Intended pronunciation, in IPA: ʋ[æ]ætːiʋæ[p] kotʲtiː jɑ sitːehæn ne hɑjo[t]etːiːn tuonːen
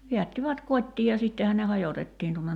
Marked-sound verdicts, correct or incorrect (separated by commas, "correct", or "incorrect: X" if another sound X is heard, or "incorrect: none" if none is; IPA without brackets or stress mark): incorrect: i, incorrect: t, correct